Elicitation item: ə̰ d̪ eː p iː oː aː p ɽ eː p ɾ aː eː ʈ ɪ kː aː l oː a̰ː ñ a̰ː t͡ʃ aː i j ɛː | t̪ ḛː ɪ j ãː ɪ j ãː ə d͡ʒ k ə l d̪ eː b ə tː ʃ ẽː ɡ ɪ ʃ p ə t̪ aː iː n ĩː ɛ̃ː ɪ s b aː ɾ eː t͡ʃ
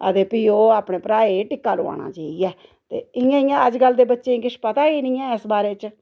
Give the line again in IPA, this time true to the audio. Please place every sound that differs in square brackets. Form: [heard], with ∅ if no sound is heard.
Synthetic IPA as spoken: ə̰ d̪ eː p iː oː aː p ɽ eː p ɾ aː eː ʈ ɪ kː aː l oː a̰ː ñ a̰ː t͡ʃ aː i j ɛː | t̪ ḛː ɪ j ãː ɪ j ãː ə d͡ʒ [ɡ] ə l d̪ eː b ə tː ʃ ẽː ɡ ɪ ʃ p ə t̪ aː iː n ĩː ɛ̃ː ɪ s b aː ɾ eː t͡ʃ